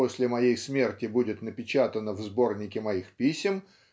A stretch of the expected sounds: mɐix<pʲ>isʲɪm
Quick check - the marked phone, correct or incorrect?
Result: correct